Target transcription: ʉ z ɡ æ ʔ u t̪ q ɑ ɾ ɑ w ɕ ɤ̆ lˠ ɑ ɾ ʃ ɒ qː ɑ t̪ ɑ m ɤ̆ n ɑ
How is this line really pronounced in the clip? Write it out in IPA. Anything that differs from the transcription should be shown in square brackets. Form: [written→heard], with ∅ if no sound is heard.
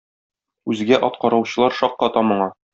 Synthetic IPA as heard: ʉ z ɡ æ ʔ [u→ɒ] t̪ q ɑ ɾ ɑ w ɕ ɤ̆ lˠ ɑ ɾ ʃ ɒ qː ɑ t̪ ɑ m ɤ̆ [n→ɴ] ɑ